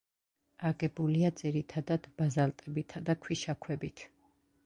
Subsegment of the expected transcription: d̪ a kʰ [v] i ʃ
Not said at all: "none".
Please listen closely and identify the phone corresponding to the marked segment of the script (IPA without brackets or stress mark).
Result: w